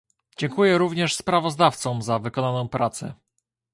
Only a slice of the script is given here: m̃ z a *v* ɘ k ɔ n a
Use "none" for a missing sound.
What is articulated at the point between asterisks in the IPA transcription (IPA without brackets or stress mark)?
v